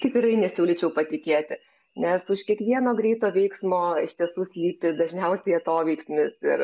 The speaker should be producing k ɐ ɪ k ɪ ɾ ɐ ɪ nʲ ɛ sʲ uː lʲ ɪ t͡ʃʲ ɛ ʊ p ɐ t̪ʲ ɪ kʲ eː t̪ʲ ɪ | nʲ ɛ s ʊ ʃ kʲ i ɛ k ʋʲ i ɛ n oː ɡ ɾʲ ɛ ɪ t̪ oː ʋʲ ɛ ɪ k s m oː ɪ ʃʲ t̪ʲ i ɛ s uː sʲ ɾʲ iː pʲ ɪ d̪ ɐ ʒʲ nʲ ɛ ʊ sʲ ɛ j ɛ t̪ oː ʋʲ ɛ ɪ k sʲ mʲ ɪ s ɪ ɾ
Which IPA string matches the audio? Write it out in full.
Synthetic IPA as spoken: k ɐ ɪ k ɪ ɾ ɐ ɪ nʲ ɛ sʲ uː lʲ ɪ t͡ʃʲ ɛ ʊ p ɐ t̪ʲ ɪ kʲ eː t̪ʲ ɪ | nʲ ɛ s ʊ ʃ kʲ i ɛ k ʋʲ i ɛ n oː ɡ ɾʲ ɛ ɪ t̪ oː ʋʲ ɛ ɪ k s m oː ɪ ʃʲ t̪ʲ i ɛ s uː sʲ lʲ iː pʲ ɪ d̪ ɐ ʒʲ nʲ ɛ ʊ sʲ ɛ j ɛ t̪ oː ʋʲ ɛ ɪ k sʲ mʲ ɪ s ɪ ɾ